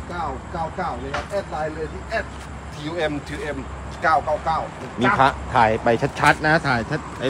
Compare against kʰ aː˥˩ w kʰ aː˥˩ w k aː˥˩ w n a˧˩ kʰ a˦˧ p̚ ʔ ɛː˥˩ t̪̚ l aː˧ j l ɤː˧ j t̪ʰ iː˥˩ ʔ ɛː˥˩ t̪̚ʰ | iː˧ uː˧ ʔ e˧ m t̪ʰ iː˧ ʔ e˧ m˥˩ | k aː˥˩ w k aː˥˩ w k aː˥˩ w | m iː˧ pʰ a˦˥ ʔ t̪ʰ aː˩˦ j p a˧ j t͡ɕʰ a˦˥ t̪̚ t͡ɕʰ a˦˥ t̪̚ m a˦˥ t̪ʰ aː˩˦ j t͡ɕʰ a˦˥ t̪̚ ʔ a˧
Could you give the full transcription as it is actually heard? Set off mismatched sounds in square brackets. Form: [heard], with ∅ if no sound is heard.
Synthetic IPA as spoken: [k] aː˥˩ w [k] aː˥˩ w k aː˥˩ w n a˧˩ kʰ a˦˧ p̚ ʔ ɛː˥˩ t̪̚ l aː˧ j l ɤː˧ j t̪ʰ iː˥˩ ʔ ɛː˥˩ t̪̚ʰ | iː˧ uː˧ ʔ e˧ m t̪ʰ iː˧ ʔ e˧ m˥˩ | k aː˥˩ w k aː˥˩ w k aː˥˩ w | m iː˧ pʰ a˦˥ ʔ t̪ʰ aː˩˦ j p a˧ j t͡ɕʰ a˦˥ t̪̚ t͡ɕʰ a˦˥ t̪̚ [n] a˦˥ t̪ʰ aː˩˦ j t͡ɕʰ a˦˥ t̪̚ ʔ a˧